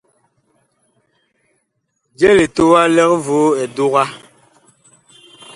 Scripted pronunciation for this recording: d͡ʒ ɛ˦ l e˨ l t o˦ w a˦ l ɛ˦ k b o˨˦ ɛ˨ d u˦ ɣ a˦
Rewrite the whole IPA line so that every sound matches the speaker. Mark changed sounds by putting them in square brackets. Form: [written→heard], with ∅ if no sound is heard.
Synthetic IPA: d͡ʒ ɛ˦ l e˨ [l→∅] t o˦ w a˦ l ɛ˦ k [b→v] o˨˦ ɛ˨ d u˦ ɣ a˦

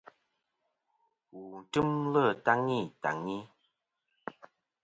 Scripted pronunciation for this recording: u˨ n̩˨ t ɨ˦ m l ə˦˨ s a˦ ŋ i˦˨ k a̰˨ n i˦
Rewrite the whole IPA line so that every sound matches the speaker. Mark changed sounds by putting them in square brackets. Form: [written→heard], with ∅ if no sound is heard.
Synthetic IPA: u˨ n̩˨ t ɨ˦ m l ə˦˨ [s→t] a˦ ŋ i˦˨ [k→t] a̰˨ [n→ŋ] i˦

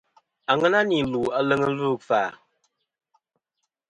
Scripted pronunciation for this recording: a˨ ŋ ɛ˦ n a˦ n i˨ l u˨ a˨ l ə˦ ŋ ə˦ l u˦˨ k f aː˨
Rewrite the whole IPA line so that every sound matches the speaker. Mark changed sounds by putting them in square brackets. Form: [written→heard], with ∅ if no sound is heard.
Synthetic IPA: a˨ ŋ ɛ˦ n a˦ n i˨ l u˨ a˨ l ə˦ ŋ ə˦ l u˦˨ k f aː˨

